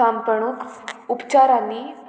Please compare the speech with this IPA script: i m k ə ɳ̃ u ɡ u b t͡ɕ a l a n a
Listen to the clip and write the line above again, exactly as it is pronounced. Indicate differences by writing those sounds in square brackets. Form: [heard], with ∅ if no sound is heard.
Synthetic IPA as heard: [a] m [p] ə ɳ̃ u [k] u [p] t͡ɕ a [ɾ] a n [i]